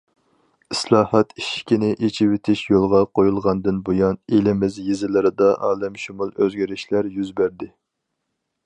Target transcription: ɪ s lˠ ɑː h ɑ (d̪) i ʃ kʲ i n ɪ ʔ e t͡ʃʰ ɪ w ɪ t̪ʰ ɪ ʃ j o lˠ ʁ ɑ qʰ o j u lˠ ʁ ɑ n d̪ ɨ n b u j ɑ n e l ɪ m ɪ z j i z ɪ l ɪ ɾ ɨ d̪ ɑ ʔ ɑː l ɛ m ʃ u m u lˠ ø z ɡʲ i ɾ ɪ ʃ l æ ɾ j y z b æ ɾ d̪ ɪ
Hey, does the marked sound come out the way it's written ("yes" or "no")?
no